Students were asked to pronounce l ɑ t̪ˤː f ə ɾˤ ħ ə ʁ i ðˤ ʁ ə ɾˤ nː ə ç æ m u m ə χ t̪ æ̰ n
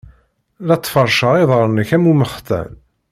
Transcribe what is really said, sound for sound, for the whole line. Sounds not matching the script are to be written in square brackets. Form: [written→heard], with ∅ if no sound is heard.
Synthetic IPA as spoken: l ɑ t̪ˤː f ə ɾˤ [ħ→ʃ] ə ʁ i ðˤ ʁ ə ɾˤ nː ə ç æ m u m ə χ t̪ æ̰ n